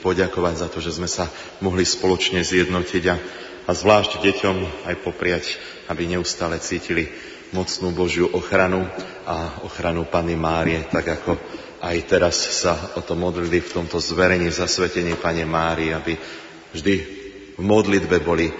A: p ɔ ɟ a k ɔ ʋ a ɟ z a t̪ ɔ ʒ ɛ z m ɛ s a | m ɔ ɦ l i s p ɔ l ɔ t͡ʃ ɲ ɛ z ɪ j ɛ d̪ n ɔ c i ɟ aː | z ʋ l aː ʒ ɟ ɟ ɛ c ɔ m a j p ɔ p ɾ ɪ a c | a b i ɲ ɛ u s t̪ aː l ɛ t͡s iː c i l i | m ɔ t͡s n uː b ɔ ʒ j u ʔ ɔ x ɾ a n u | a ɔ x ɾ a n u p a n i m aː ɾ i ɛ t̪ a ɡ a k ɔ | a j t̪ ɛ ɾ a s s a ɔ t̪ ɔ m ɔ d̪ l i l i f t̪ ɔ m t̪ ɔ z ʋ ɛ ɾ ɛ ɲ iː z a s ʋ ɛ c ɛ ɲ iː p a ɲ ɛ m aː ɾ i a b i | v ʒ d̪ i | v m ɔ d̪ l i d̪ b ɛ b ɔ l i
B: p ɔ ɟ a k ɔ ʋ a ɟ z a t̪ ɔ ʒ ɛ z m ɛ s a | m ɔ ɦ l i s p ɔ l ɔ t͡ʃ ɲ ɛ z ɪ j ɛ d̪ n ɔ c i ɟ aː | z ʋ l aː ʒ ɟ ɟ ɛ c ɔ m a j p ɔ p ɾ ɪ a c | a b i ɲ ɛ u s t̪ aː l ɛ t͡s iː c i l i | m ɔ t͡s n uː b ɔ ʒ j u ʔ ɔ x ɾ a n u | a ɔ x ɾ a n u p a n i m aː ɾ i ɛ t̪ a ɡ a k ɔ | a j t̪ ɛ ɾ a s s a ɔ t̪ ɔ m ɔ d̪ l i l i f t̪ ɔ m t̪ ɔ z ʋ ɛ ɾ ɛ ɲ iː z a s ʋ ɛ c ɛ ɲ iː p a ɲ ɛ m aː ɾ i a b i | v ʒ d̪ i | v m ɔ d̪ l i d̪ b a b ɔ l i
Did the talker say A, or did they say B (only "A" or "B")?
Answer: A